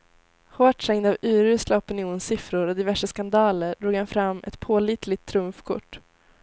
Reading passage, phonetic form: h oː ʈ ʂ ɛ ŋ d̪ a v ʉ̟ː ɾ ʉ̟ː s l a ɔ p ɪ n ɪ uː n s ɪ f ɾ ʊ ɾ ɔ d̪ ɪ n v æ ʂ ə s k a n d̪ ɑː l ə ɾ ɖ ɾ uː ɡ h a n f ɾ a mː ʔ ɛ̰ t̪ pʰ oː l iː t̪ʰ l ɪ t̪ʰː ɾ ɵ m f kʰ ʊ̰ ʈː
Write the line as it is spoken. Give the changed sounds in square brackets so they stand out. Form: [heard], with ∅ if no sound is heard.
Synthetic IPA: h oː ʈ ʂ ɛ ŋ d̪ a v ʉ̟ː ɾ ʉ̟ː s l a ɔ p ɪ n ɪ uː n s ɪ f ɾ ʊ ɾ ɔ d̪ ɪ [∅] v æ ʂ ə s k a n d̪ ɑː l ə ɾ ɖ ɾ uː ɡ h a n f ɾ a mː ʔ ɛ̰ t̪ pʰ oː l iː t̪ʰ l ɪ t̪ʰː ɾ ɵ m f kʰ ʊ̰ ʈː